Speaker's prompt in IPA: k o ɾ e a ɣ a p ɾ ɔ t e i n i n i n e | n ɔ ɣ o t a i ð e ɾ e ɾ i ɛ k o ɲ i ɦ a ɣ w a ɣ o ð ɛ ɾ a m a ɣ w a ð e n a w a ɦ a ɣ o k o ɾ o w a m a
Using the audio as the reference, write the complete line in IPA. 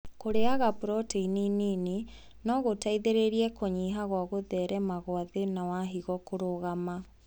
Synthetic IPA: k o ɾ e a ɣ a p ɾ ɔ t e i n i n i n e | n ɔ ɣ o t a i ð e ɾ e ɾ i ɛ k o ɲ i ɦ a ɣ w a ɣ o ð ɛ ɾ ɛ m a ɣ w a ð e n a w a ɦ i ɣ ɔ k o ɾ o ɣ a m a